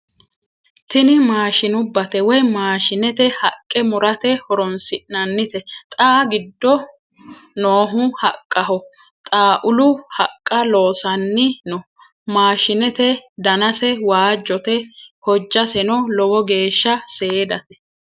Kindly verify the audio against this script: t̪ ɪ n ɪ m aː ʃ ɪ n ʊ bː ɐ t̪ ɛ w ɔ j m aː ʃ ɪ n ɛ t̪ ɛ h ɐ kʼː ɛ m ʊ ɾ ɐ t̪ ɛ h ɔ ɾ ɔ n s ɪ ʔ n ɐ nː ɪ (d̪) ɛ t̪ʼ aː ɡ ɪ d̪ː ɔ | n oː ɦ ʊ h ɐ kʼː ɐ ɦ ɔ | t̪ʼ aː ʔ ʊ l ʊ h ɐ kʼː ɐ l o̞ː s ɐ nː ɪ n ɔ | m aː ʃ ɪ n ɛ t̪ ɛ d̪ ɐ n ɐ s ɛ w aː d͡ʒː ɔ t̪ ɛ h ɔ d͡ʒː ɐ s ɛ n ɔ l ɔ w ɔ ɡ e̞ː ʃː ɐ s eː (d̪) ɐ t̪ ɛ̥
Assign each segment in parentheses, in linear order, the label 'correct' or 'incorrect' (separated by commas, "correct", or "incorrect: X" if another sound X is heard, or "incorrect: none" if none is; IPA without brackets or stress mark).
incorrect: t̪, correct